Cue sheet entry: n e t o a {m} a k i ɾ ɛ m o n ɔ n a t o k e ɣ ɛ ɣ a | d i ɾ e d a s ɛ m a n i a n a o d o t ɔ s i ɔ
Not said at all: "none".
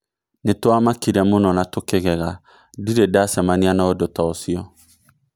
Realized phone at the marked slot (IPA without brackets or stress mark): m